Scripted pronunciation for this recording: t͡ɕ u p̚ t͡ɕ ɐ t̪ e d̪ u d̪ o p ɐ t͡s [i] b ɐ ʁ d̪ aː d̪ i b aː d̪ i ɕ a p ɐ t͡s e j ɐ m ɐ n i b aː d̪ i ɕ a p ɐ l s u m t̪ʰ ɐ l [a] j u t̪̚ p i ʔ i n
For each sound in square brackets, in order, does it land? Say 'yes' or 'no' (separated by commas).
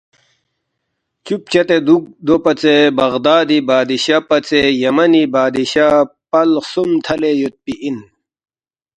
no, no